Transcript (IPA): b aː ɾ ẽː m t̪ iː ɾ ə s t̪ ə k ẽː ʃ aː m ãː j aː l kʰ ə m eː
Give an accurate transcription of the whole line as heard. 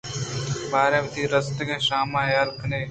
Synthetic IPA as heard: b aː ɾ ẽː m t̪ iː ɾ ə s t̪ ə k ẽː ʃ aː m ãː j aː l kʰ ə n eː